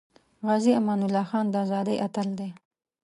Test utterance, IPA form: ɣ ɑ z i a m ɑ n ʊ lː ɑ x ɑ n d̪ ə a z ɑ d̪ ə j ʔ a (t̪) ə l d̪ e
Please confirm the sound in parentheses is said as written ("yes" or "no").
yes